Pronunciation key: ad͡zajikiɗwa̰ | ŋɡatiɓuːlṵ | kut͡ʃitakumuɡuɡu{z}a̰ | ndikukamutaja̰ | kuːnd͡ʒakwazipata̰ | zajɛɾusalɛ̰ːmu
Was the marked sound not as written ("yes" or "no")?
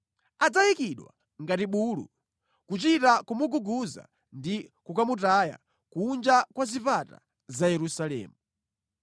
no